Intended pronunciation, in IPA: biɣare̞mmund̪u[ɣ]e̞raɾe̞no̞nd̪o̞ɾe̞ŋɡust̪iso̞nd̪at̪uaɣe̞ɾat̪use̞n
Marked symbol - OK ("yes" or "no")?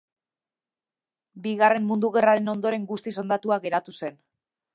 yes